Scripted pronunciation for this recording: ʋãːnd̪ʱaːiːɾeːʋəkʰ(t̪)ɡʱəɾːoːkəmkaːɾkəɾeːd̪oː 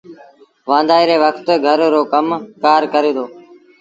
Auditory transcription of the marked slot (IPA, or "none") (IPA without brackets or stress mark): t̪